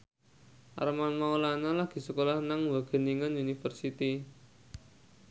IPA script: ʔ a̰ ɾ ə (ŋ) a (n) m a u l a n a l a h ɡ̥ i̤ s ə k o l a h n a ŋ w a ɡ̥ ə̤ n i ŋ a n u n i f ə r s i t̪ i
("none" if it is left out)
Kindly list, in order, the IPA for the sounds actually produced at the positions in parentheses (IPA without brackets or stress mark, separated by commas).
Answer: m, n